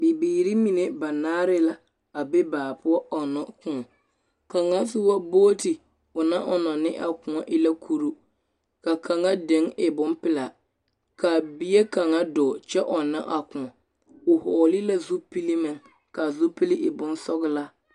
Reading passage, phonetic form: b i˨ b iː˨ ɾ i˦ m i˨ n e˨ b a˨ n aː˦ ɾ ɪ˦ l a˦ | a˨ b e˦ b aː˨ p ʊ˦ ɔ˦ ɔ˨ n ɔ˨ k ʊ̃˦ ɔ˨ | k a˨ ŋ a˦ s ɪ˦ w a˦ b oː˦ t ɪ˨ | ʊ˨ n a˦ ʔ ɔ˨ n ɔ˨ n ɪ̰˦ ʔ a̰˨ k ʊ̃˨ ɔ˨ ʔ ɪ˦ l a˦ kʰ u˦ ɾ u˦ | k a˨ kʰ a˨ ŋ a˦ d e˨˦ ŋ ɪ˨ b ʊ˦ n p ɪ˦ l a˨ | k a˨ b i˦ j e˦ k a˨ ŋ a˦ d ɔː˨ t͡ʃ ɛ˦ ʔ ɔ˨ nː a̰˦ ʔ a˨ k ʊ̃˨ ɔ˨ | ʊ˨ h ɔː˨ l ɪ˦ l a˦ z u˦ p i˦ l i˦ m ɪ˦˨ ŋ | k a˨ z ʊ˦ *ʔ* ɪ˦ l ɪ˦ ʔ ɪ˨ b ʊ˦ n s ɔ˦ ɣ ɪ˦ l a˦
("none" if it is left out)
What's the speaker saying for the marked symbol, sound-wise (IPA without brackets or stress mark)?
p